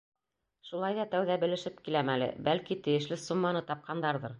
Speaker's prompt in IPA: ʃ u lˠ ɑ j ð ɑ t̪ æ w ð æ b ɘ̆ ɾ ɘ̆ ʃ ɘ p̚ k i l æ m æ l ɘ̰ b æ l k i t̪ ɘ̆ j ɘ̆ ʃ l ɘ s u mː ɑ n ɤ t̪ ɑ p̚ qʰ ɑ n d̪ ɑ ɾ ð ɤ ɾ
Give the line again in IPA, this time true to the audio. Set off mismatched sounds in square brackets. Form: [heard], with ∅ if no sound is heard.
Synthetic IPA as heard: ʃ u lˠ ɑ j ð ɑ t̪ æ w ð æ b ɘ̆ [l] ɘ̆ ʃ ɘ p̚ k i l æ m æ l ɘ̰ b æ l k i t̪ ɘ̆ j ɘ̆ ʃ l ɘ s u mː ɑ n ɤ t̪ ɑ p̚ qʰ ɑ n d̪ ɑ ɾ ð ɤ ɾ